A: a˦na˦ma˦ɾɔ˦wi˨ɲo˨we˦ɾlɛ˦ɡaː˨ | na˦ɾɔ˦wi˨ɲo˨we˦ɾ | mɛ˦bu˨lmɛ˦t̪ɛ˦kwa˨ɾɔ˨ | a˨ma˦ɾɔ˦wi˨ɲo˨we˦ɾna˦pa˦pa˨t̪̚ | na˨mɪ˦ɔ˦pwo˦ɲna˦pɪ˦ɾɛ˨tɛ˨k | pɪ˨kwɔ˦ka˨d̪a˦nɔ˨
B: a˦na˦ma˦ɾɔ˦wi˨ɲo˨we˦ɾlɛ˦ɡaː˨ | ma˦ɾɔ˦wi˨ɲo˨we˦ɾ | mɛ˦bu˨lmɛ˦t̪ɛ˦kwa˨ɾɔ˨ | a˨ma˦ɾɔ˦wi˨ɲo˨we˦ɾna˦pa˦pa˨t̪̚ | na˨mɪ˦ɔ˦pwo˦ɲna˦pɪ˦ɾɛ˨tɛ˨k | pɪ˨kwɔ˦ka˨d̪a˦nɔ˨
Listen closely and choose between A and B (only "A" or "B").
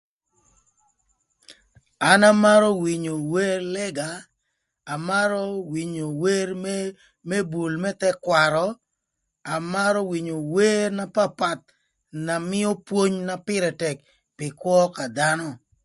B